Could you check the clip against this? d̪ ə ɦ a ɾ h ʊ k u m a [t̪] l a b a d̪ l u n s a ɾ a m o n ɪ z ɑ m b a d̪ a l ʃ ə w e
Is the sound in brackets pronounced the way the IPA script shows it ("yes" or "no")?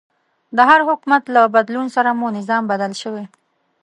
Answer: yes